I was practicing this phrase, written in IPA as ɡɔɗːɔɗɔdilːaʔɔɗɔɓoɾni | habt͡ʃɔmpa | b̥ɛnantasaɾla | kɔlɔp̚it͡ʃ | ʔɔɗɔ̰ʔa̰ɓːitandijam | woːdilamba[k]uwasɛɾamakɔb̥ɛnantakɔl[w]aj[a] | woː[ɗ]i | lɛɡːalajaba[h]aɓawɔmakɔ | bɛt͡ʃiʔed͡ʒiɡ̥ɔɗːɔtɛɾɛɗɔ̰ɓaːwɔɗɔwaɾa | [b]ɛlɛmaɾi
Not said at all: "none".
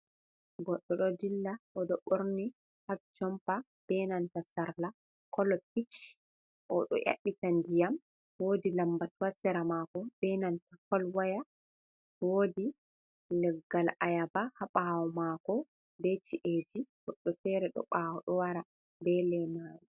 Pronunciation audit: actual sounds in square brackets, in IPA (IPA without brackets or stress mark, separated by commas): t, w, a, d, h, b